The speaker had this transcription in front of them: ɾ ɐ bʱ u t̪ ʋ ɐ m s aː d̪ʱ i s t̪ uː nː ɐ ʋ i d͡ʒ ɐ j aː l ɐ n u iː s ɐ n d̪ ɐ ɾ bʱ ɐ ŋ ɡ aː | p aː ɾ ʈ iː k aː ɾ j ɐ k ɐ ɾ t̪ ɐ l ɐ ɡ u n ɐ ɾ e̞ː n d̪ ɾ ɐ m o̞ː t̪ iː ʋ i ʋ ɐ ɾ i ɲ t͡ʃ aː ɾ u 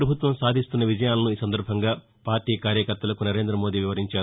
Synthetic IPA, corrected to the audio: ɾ ɐ bʱ u t̪ ʋ ɐ m s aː d̪ʱ i s t̪ u nː ɐ ʋ i d͡ʒ ɐ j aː l ɐ n u iː s ɐ n d̪ ɐ ɾ bʱ ɐ ŋ ɡ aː | p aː ɾ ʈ iː k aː ɾ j ɐ k ɐ ɾ t̪ ɐ l ɐ k u n ɐ ɾ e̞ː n d̪ ɾ ɐ m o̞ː d̪ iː ʋ i ʋ ɐ ɾ i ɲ t͡ʃ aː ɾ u